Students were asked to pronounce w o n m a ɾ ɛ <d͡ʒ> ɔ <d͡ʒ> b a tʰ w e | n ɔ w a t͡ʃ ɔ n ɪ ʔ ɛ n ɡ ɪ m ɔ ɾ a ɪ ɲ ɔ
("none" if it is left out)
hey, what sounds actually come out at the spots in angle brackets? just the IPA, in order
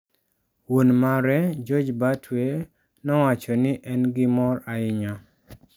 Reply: d͡ʒ, d͡ʒ

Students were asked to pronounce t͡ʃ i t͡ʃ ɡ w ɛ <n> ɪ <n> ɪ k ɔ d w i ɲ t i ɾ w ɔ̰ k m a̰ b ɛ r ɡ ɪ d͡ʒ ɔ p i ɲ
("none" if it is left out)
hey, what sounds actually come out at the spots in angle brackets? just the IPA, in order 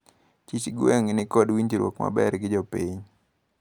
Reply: ŋ, n

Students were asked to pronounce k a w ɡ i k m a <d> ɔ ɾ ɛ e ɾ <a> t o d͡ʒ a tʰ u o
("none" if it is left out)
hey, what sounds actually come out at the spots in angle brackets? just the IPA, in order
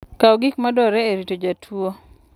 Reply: d, i

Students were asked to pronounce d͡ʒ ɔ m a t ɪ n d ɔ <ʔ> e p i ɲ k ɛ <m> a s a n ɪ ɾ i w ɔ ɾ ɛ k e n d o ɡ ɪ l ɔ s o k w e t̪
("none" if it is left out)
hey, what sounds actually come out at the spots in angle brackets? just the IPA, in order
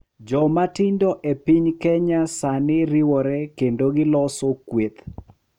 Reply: ʔ, ɲ

